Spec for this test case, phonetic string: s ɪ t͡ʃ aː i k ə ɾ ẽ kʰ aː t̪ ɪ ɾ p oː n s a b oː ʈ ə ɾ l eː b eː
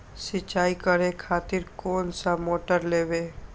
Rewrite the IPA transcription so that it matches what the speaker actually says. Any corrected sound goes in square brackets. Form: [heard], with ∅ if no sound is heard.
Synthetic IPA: s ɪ t͡ʃ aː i k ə ɾ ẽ kʰ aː t̪ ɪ ɾ [k] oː n s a [m] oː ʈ ə ɾ l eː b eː